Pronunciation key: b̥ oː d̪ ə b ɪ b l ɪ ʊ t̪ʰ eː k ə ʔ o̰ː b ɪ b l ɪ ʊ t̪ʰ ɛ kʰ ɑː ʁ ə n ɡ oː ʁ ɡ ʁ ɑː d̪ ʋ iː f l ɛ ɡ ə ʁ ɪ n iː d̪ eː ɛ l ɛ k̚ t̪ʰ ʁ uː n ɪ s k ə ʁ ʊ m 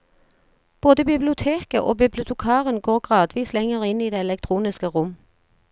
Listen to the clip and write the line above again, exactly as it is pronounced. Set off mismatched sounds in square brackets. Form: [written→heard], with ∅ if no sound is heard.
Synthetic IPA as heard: b̥ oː d̪ ə b ɪ b l ɪ ʊ t̪ʰ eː k ə ʔ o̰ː b ɪ b l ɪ ʊ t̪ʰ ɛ kʰ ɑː ʁ ə n ɡ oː ʁ ɡ ʁ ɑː d̪ ʋ iː [f→s] l ɛ [ɡ→ŋ] ə ʁ ɪ n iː d̪ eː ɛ l ɛ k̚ t̪ʰ ʁ uː n ɪ s k ə ʁ ʊ m